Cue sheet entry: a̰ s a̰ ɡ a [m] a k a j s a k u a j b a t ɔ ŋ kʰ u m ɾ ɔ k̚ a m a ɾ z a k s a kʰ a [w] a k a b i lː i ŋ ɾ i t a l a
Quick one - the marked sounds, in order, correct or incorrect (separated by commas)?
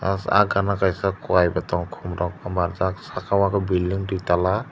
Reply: incorrect, correct